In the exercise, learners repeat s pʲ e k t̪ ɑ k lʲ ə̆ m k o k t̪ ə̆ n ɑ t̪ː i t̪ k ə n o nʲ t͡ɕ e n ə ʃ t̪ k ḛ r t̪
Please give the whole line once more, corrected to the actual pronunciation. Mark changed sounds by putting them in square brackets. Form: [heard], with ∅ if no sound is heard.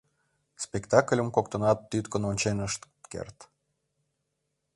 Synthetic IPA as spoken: s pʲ e k t̪ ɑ k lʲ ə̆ m k o k t̪ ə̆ n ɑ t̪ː [y] t̪ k ə n o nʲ t͡ɕ e n ə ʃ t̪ k ḛ r t̪